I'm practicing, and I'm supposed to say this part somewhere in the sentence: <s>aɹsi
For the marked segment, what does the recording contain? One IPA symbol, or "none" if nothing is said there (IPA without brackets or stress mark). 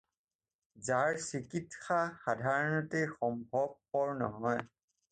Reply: z